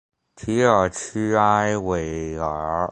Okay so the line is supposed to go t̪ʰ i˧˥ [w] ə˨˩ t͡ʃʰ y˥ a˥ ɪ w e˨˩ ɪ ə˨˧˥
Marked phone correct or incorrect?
incorrect